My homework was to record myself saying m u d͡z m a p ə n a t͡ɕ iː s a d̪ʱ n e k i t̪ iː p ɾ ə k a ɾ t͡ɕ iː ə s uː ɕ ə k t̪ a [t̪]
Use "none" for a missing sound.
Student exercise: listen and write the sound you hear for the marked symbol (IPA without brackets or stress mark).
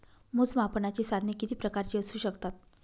t̪